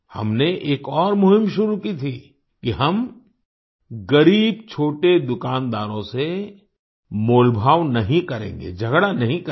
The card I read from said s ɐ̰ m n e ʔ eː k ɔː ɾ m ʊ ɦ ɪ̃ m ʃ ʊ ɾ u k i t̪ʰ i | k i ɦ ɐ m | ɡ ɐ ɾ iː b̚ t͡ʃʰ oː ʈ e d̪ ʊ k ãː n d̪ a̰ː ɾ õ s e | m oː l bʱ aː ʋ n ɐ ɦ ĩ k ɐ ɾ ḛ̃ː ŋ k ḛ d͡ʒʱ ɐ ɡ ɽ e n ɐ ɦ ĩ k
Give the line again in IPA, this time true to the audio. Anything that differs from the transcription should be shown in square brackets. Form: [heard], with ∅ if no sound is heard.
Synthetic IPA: [h] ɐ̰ m n e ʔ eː k ɔː ɾ m ʊ ɦ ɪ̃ m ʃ ʊ ɾ u k i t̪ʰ i | k i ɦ ɐ m | ɡ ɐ ɾ iː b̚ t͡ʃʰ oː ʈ e d̪ ʊ k [aː] n d̪ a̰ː ɾ õ s e | m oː l bʱ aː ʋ n ɐ ɦ ĩ k ɐ ɾ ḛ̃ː ŋ [ɡ] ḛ d͡ʒʱ ɐ ɡ ɽ [a] n ɐ ɦ ĩ k